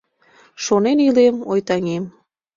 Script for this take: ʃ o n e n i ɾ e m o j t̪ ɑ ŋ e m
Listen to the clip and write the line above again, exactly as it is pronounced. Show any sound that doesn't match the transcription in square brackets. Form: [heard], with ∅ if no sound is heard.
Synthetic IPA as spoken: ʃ o n e n i [l] e m o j t̪ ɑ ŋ e m